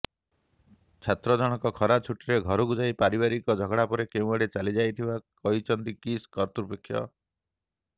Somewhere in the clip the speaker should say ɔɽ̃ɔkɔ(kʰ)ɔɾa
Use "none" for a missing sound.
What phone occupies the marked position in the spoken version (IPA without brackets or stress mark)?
kʰ